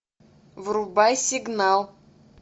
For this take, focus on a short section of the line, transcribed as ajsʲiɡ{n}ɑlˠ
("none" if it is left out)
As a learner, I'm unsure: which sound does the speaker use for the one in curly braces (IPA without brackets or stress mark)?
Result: n